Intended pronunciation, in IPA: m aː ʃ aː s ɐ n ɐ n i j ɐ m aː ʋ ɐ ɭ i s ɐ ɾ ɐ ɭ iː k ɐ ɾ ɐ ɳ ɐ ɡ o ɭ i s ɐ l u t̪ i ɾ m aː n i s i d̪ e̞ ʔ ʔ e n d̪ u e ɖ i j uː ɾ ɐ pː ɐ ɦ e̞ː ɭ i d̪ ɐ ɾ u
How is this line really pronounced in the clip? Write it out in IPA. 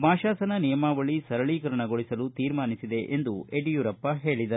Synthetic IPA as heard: m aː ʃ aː s ɐ n ɐ n i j ɐ m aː ʋ ɐ ɭ i s ɐ ɾ ɐ ɭ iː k ɐ ɾ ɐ ɳ ɐ ɡ o ɭ i s ɐ l u t̪ iː ɾ m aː n i s i d̪ e̞ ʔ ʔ e n d̪ u e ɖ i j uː ɾ ɐ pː ɐ ɦ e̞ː ɭ i d̪ ɐ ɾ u